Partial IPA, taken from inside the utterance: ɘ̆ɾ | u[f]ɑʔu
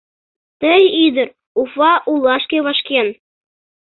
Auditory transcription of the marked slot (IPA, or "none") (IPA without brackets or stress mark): f